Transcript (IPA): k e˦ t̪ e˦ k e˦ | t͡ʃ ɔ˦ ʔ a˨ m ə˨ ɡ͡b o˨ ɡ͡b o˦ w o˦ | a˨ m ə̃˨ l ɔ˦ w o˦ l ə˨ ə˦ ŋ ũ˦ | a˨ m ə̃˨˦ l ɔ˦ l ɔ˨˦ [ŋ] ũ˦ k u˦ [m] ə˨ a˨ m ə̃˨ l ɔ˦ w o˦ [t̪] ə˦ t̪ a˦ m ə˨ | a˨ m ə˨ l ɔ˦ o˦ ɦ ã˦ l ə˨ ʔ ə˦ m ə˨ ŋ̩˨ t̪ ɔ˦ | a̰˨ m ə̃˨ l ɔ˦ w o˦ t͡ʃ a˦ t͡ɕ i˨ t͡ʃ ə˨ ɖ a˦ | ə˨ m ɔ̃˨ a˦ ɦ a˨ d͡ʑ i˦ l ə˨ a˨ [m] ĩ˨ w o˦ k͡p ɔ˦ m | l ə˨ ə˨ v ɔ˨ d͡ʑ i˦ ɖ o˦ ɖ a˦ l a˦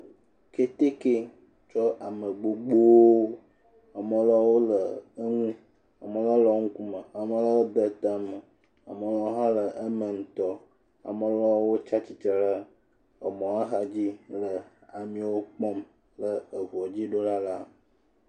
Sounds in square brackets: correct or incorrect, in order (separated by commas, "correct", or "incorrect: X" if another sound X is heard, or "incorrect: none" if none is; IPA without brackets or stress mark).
correct, correct, incorrect: d̪, correct